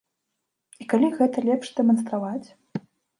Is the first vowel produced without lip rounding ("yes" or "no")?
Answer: yes